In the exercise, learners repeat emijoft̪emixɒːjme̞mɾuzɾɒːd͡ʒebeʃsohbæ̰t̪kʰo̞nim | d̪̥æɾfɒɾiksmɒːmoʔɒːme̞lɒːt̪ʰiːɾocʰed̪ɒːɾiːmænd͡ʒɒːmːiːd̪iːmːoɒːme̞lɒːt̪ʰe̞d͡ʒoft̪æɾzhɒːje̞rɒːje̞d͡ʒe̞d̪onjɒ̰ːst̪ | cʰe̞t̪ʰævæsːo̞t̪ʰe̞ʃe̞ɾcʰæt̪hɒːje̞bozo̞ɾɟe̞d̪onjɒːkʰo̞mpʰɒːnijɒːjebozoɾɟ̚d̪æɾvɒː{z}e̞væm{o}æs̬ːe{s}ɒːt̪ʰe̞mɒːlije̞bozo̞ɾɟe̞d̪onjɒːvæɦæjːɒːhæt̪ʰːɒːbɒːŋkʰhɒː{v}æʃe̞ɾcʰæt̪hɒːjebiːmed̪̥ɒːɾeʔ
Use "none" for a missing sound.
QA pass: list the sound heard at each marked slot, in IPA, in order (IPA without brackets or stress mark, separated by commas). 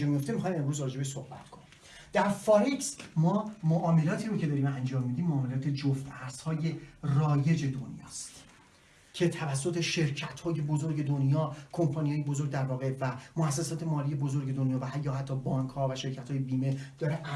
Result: ɣ, o, s, v